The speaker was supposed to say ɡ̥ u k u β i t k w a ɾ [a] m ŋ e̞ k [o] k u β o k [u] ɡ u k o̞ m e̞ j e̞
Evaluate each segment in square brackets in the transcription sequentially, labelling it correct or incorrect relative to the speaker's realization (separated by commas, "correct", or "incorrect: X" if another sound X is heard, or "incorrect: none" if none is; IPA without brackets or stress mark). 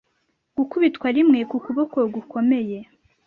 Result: incorrect: i, incorrect: u, incorrect: o